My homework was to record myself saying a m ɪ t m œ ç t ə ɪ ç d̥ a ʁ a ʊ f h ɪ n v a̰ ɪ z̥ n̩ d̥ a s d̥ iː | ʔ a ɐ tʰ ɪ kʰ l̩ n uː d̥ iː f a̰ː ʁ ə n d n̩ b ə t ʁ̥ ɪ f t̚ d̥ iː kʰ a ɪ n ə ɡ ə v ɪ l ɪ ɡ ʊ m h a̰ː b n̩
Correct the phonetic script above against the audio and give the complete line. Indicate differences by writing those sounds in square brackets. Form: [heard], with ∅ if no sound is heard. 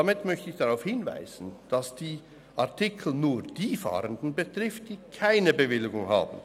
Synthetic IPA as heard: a m ɪ t m œ ç t ə ɪ ç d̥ a ʁ a ʊ f h ɪ n v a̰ ɪ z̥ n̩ d̥ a s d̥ iː | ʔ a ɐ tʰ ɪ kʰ l̩ n uː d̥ iː f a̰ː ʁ ə n d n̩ b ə t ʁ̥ ɪ f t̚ d̥ iː kʰ a ɪ n ə [b] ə v ɪ l ɪ ɡ ʊ [ŋ] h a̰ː b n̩

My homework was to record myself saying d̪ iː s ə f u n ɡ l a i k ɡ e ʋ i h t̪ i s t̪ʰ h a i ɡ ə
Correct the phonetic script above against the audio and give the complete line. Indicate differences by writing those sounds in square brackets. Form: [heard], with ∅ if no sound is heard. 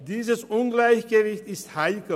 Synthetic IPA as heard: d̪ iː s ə [s] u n ɡ l a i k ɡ e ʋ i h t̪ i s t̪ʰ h a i [k] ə

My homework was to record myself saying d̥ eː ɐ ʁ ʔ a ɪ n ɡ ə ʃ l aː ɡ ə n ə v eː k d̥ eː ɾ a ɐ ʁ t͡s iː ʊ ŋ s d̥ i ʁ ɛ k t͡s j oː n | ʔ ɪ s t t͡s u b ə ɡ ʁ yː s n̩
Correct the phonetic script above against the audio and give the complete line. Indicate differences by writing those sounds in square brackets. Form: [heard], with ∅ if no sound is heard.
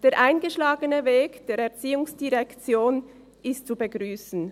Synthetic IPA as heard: d̥ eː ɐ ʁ ʔ a ɪ n ɡ ə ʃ l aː ɡ ə n ə v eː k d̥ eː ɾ [ɛ] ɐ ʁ t͡s iː ʊ ŋ s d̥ i ʁ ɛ k t͡s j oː n | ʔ ɪ s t t͡s u b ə ɡ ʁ yː s n̩

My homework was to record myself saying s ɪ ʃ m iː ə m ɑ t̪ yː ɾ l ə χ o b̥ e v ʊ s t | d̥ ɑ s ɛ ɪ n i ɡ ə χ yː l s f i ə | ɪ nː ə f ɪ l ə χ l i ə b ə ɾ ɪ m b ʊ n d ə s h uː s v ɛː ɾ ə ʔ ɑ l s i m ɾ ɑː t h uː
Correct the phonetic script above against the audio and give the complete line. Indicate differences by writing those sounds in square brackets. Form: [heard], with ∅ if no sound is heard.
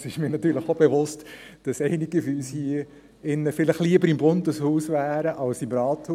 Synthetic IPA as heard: s ɪ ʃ m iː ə [n] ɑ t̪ yː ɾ l ə χ o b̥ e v ʊ s t | d̥ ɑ s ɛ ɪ n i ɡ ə [f] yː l s [h] i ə | ɪ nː ə f ɪ l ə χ l i ə b ə ɾ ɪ m b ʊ n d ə s h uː s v [æː] ɾ ə ʔ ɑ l s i m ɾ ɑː t h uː

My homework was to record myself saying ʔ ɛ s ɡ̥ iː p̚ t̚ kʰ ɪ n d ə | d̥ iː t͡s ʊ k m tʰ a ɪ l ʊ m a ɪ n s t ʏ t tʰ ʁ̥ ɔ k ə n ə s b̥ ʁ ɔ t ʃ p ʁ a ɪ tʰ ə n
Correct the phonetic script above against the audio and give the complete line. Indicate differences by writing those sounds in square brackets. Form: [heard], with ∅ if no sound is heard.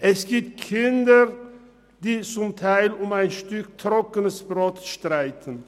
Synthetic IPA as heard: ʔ ɛ s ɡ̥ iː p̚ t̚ kʰ ɪ n d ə | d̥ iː t͡s ʊ [∅] m tʰ a ɪ l ʊ m a ɪ n [ʃ] t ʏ [k] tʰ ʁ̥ ɔ k ə n ə s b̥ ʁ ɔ t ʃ [t] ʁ a ɪ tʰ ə n

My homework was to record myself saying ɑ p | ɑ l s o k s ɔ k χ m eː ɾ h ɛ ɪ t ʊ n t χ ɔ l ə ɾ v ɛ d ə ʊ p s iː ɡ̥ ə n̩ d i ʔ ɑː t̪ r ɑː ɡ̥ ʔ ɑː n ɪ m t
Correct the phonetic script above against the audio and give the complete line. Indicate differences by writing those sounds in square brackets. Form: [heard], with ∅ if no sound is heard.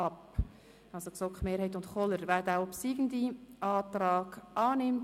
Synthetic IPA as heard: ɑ p | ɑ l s o k s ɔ k χ m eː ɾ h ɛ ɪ t ʊ n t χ ɔ l ə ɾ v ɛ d [a] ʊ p s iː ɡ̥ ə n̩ d i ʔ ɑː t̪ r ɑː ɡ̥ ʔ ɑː n ɪ m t

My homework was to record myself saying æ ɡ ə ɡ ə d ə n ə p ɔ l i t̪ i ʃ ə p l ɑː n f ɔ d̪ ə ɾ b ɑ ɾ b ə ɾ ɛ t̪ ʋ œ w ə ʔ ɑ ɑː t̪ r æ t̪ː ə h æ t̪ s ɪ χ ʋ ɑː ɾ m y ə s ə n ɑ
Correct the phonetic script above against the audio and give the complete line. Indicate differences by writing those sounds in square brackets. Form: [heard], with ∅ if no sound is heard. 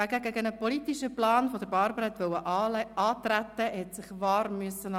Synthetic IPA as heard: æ ɡ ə ɡ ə [ɡ] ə n ə p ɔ l i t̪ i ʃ ə p l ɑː n f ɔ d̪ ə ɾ b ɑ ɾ b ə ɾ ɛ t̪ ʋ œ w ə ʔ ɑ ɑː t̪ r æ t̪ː ə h [ɛ] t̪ s ɪ χ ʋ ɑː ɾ m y ə s ə n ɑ

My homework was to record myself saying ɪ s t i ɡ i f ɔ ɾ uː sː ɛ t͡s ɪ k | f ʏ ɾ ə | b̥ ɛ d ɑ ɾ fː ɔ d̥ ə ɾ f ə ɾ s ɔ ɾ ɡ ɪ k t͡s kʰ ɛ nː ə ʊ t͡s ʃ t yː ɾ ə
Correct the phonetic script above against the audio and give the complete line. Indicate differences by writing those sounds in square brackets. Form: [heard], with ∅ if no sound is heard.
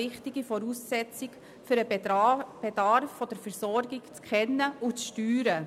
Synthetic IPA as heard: ɪ [χ] t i ɡ i f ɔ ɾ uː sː ɛ t͡s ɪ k | f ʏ ɾ ə | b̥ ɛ d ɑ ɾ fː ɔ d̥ ə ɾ f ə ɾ s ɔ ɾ ɡ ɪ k t͡s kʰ ɛ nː ə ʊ t͡s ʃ t yː ɾ ə

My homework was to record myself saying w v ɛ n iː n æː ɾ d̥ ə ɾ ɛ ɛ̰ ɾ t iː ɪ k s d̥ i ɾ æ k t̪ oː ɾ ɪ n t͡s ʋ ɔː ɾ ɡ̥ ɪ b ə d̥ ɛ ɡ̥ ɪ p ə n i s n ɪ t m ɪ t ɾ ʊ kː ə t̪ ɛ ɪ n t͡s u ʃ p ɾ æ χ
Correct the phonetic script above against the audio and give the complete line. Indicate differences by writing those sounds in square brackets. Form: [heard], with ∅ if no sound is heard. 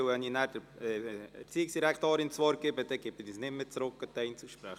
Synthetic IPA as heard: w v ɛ n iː n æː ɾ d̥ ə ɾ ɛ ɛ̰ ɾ [t͡s] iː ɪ k s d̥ i ɾ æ k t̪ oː ɾ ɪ n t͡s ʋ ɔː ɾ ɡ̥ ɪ b ə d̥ ɛ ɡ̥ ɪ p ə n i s n ɪ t m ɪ [t͡s] ɾ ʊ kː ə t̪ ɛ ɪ n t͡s u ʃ p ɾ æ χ

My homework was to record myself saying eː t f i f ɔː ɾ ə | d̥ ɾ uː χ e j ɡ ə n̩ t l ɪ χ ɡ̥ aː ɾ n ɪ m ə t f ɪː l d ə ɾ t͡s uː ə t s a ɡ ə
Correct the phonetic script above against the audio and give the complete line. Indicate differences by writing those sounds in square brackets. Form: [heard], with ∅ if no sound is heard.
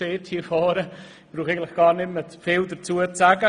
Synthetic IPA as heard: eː t [h] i f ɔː ɾ ə | [b̥] ɾ uː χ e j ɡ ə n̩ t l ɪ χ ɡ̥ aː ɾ n ɪ m ə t f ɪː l d ə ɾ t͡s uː ə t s a ɡ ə

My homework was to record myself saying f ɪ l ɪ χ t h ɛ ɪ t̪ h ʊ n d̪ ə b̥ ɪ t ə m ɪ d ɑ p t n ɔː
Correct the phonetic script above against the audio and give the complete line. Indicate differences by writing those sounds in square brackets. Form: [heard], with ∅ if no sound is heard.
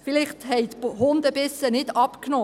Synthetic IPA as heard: f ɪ l ɪ χ t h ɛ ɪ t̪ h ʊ n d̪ ə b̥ ɪ [s] ə [n] ɪ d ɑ p [k] n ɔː

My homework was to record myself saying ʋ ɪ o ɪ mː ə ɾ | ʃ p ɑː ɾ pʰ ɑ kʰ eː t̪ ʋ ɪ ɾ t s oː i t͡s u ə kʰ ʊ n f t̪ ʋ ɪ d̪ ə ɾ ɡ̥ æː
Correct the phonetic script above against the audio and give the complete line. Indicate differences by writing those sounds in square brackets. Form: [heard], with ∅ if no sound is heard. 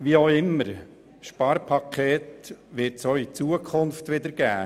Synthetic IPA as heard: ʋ [i] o ɪ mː ə ɾ | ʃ p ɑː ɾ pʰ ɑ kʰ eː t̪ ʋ ɪ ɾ t s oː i t͡s u ə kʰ ʊ n f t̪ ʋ ɪ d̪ ə ɾ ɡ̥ æː

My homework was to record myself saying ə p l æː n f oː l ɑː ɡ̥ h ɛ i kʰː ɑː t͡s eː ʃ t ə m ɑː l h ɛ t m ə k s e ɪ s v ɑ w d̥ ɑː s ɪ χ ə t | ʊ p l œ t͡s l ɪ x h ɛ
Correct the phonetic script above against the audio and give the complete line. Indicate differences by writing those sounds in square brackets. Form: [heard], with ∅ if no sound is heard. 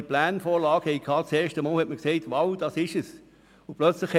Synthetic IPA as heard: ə p l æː n f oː l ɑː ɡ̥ h ɛ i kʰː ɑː t͡s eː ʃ t ə m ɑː l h ɛ t m ə k s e ɪ [t] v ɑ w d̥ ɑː s ɪ [ʃ] ə [s] | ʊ p l œ t͡s l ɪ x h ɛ

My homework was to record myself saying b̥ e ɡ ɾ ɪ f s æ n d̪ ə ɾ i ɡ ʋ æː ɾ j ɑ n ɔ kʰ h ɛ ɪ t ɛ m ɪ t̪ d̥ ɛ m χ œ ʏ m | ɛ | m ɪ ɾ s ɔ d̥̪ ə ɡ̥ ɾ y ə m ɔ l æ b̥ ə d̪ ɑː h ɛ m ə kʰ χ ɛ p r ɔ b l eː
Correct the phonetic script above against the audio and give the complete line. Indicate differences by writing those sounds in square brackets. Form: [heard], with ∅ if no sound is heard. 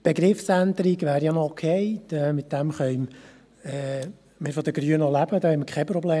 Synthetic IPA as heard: b̥ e ɡ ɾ ɪ f s æ n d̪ ə ɾ i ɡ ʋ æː ɾ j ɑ n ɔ kʰ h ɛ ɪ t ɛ m ɪ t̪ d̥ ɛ m χ œ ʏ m | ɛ | m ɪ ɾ [f] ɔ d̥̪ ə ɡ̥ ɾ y ə [n] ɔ l æ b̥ ə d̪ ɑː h ɛ m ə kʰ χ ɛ p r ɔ b l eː

